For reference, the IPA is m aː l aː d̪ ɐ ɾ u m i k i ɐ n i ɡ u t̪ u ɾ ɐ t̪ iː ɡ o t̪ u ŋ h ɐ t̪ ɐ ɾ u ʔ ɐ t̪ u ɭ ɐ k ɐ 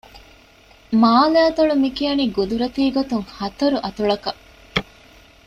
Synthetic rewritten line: m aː l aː t̪ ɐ ɭ u m i k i ɐ n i ɡ u d̪ u ɾ ɐ t̪ iː ɡ o t̪ u ŋ h ɐ t̪ ɐ ɾ u ʔ ɐ t̪ u ɭ ɐ k ɐ